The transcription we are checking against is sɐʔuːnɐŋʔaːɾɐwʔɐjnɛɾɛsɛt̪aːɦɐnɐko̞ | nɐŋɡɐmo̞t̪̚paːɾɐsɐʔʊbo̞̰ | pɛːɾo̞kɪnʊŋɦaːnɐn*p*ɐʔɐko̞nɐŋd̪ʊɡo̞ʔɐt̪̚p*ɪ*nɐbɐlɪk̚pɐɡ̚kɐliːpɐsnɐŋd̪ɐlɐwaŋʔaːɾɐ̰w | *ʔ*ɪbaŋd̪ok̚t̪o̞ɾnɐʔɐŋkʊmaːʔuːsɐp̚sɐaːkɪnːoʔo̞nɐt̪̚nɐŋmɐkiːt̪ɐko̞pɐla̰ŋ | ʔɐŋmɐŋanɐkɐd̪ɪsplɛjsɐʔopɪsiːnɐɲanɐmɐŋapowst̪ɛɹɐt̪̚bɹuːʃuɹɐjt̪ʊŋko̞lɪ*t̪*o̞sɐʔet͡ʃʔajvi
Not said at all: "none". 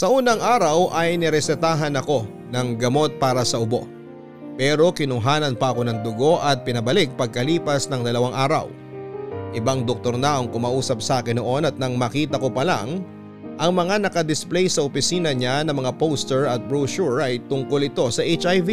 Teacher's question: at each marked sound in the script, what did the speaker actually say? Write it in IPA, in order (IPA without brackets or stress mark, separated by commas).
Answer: p, ɪ, ʔ, t̪